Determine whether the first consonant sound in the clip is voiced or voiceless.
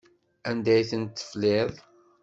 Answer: voiced